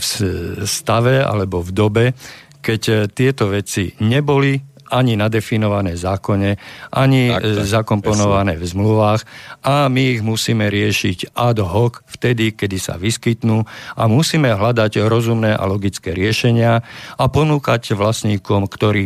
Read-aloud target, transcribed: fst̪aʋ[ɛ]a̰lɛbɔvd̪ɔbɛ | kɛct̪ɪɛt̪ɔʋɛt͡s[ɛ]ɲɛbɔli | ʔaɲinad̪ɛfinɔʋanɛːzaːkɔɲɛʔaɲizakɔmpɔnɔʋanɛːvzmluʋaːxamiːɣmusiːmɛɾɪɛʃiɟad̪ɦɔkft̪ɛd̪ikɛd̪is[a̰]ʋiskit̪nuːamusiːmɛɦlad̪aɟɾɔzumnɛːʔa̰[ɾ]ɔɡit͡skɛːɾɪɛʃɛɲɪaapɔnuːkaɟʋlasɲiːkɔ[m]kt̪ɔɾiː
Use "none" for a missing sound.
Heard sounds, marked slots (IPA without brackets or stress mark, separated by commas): ɛ, i, a̰, l, m